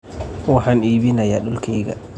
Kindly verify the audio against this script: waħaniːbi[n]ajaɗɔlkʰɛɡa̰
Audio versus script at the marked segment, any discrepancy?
no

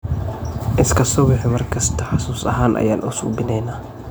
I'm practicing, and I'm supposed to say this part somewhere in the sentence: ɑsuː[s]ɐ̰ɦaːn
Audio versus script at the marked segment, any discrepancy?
no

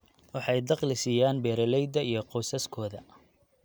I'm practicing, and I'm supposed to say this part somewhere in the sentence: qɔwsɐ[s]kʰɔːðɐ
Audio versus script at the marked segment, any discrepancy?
no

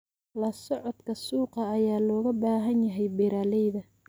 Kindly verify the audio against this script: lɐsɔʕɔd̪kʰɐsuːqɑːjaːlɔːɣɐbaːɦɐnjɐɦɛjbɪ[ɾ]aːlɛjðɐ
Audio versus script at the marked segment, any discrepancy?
no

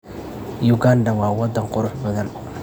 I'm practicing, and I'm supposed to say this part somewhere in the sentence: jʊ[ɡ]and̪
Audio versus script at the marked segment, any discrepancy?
no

